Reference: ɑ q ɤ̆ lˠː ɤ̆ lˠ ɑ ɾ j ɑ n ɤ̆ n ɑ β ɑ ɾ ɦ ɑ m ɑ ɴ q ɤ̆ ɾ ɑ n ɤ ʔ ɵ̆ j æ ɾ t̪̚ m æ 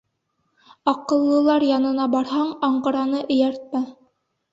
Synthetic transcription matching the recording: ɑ q ɤ̆ lˠː ɤ̆ lˠ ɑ ɾ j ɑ n ɤ̆ n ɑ b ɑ ɾ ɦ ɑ ɴ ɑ ɴ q ɤ̆ ɾ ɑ n ɤ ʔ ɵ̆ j æ ɾ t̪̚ m æ